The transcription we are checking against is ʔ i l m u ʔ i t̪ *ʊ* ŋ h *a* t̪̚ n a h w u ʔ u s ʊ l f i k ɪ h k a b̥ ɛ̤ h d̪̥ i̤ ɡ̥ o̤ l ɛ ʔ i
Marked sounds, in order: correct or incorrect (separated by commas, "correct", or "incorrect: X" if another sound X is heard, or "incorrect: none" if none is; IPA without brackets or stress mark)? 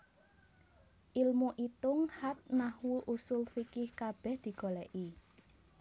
correct, correct